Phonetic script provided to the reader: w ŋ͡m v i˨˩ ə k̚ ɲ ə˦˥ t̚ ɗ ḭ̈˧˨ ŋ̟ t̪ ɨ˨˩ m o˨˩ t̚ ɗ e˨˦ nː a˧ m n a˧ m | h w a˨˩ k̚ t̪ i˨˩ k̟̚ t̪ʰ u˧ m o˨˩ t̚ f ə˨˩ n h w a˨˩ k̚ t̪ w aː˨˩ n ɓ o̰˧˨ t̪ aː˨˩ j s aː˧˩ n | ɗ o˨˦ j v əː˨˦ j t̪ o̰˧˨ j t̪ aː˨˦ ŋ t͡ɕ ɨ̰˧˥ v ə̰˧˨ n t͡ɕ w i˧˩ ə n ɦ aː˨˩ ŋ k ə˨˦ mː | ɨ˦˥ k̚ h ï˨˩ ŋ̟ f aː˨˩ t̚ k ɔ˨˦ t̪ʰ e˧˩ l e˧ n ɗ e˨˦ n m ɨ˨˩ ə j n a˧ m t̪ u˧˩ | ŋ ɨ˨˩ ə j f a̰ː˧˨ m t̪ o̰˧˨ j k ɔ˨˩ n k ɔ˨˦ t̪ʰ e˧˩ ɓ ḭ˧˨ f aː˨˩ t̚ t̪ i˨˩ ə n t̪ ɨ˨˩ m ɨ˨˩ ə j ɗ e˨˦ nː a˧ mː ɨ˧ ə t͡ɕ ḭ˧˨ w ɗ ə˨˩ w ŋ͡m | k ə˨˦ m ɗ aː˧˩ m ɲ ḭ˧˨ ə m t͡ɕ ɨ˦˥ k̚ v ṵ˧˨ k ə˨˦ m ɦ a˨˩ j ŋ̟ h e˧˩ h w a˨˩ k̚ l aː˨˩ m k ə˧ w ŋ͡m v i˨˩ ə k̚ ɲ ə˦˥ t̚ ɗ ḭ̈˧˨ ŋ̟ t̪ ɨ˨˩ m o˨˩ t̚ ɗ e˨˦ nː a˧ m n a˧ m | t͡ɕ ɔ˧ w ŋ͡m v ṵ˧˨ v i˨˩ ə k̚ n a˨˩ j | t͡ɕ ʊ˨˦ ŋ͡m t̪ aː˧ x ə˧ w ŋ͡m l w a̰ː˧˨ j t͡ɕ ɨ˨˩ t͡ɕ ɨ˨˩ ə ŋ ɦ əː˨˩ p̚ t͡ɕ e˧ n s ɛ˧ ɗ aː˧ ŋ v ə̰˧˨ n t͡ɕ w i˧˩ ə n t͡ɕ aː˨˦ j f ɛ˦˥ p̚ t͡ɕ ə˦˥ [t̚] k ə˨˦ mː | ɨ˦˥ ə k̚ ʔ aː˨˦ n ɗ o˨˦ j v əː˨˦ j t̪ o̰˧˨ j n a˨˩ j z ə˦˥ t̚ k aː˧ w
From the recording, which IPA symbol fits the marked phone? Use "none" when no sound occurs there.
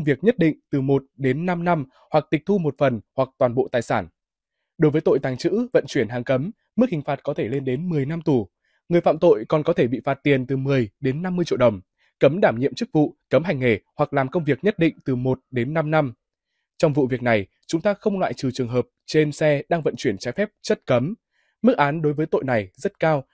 t̚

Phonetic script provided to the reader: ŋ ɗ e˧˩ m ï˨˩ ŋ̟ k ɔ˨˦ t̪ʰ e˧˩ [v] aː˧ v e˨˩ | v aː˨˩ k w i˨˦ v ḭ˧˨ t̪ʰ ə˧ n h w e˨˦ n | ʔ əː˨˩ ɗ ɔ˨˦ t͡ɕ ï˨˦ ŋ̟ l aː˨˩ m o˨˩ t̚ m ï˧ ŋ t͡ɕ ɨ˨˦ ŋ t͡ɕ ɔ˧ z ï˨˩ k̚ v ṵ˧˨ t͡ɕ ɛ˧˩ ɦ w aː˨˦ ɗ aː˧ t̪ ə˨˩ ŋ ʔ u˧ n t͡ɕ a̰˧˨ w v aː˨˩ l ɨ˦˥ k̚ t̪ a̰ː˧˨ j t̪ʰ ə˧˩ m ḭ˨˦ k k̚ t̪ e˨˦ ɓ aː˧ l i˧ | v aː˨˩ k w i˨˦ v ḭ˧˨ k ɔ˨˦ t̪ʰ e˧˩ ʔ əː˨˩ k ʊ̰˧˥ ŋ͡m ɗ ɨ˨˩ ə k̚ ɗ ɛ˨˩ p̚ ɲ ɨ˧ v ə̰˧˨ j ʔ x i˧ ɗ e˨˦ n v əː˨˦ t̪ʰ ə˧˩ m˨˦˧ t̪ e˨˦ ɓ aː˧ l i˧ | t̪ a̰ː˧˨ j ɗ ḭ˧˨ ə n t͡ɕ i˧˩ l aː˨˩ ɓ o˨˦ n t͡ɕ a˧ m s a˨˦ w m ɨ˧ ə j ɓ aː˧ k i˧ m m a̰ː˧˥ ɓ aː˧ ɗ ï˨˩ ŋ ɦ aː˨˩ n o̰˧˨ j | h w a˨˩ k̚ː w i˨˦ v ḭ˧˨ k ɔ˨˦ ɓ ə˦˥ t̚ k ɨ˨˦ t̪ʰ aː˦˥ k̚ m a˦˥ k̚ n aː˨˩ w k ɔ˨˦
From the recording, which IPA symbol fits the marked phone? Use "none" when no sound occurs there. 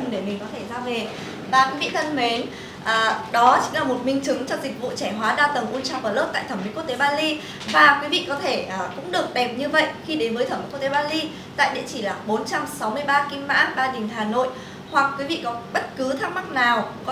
z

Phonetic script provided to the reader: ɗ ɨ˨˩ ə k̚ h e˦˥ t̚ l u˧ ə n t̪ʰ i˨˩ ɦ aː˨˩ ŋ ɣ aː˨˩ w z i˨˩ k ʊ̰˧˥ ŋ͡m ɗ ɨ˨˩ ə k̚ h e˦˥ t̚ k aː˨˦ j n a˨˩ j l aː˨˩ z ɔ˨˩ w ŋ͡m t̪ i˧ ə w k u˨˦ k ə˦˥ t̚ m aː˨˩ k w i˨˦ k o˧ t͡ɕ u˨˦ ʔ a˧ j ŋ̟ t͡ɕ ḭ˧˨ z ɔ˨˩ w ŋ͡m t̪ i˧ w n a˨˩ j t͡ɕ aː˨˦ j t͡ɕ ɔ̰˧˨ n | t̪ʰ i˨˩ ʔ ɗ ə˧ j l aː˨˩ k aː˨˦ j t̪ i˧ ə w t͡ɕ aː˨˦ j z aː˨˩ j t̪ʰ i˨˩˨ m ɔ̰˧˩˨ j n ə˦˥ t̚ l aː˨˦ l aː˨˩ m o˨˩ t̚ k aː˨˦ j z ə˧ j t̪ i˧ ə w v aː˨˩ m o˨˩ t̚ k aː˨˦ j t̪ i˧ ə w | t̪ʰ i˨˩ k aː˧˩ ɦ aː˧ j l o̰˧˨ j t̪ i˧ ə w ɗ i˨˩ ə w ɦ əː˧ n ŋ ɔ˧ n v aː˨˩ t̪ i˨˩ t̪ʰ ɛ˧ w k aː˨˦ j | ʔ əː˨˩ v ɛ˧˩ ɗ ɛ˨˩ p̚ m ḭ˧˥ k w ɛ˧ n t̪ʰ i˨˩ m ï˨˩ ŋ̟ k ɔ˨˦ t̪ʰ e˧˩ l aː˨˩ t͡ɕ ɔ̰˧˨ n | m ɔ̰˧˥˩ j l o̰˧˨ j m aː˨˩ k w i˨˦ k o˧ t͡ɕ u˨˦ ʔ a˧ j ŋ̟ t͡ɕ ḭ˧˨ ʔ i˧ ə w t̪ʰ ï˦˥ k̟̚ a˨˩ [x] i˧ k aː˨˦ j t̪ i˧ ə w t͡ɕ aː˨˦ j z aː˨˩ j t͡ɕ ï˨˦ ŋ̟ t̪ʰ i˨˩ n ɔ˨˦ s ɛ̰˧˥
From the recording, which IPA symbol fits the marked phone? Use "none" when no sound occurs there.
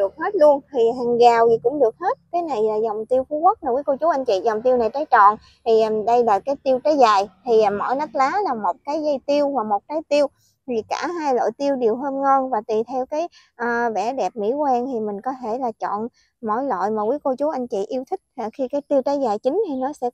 x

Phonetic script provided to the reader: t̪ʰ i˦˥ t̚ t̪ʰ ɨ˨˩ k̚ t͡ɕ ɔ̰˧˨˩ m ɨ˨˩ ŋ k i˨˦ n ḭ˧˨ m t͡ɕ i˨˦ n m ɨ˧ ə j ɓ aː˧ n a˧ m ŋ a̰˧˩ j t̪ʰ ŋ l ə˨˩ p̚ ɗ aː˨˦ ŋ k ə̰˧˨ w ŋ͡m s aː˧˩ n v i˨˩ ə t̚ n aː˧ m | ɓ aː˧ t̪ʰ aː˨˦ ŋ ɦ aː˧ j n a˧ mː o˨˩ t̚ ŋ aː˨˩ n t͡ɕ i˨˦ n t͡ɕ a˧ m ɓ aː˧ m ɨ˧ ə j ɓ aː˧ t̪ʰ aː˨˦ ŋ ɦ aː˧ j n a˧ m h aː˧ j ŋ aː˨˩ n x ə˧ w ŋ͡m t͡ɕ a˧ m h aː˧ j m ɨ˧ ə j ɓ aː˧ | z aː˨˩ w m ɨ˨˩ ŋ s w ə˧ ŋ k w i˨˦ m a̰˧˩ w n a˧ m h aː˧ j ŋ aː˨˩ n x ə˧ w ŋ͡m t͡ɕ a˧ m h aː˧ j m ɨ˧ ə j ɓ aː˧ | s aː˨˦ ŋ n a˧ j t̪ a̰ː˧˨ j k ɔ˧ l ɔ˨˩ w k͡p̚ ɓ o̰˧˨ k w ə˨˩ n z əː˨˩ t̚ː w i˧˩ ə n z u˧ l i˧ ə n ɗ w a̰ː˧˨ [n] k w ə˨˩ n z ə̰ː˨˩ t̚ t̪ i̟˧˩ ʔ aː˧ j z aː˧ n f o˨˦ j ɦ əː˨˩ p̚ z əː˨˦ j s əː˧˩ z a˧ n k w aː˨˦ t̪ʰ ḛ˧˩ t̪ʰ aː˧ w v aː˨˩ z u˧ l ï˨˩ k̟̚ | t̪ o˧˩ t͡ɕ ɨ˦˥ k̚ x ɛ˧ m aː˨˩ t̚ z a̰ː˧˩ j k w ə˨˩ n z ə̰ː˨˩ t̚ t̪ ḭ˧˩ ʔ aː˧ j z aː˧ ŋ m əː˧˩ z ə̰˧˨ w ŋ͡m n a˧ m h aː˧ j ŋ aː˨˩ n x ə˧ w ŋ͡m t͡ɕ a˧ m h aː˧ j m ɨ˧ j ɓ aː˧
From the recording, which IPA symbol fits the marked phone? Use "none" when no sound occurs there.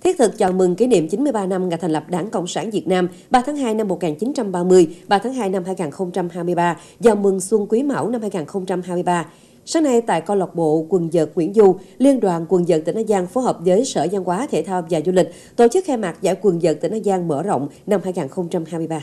n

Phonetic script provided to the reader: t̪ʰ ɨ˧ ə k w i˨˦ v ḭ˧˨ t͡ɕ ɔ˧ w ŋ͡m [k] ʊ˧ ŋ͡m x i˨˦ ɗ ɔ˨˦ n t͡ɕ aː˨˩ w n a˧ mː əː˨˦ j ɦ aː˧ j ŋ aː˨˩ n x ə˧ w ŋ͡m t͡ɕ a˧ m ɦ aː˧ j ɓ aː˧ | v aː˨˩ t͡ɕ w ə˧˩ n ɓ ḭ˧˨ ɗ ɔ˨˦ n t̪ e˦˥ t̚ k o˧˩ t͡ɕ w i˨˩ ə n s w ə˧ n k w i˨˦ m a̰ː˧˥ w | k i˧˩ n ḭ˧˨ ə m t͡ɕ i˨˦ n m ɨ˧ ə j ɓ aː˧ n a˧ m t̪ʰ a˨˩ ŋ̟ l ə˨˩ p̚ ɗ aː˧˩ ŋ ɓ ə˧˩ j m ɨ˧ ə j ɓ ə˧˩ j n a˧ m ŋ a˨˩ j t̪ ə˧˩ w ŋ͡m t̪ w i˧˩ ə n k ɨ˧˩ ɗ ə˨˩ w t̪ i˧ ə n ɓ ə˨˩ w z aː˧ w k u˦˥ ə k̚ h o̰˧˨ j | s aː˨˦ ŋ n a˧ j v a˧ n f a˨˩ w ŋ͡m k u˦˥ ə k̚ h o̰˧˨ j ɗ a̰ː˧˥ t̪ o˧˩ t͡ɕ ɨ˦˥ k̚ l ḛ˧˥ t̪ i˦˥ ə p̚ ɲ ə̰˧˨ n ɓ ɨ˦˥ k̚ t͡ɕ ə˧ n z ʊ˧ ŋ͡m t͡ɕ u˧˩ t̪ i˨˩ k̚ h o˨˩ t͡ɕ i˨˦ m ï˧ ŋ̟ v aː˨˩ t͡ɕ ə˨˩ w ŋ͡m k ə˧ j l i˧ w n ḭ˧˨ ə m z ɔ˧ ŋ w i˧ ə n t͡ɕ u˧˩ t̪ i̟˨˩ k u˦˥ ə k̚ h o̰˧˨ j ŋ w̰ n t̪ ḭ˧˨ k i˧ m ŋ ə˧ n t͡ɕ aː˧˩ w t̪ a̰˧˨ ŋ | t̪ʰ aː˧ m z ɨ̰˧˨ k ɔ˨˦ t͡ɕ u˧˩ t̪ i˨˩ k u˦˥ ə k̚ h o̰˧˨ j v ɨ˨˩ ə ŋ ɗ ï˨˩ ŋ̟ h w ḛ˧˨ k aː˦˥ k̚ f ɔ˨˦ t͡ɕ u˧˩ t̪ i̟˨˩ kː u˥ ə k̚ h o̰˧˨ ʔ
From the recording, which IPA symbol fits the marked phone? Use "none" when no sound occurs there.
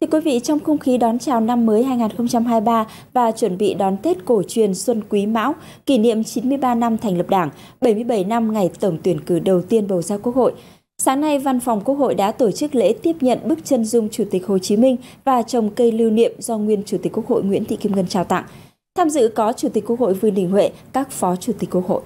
x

